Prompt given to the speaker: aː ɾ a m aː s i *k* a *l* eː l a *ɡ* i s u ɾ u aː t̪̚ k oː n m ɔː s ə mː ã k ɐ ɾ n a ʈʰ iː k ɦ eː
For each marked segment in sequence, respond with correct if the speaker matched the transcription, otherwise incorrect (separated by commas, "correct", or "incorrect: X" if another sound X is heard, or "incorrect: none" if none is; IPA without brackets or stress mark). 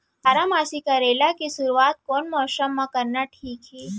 correct, incorrect: ɾ, incorrect: k